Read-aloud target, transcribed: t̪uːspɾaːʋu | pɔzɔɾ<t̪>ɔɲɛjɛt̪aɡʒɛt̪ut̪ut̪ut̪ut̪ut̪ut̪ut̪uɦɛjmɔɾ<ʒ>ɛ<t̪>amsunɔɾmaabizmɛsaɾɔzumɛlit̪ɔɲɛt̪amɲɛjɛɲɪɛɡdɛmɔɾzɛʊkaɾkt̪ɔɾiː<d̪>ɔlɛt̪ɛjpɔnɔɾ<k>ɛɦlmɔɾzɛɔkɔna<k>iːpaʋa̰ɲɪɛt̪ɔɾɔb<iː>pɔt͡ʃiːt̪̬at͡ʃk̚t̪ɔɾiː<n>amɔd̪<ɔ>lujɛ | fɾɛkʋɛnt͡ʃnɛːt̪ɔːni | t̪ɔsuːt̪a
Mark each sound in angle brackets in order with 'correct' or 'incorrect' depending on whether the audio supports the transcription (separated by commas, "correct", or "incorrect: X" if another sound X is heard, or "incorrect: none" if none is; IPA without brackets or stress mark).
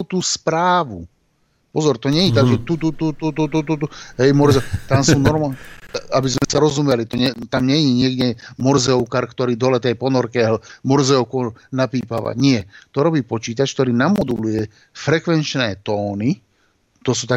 correct, incorrect: z, correct, correct, correct, incorrect: p, correct, correct, incorrect: u